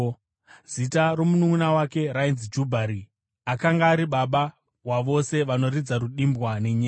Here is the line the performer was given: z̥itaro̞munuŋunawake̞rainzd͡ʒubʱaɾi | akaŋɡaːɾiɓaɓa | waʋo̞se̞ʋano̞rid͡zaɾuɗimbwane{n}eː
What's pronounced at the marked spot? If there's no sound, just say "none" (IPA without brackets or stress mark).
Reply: ɲ